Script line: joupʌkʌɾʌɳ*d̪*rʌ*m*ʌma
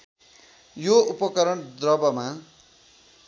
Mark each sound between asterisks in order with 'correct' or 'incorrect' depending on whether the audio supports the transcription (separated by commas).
correct, incorrect